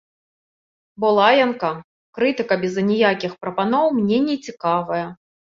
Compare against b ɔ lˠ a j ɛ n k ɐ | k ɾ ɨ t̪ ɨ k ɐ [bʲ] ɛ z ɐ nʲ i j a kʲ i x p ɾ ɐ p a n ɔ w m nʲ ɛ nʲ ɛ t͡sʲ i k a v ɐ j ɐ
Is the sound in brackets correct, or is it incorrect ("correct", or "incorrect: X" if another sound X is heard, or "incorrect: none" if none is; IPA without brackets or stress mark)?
correct